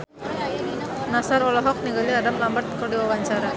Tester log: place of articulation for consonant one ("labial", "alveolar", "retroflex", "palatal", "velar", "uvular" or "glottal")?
alveolar